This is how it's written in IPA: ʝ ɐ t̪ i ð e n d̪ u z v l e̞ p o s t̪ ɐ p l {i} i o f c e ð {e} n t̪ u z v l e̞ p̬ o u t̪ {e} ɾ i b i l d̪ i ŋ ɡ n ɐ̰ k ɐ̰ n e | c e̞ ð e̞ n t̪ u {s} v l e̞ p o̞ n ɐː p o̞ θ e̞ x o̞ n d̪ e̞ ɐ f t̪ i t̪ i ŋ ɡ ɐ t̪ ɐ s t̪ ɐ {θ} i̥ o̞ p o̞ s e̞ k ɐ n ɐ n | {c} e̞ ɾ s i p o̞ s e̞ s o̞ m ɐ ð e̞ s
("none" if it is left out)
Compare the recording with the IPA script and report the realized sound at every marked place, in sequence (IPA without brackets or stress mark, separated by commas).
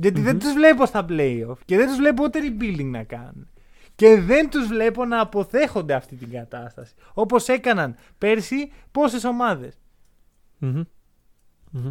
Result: e, e, e, z, s, p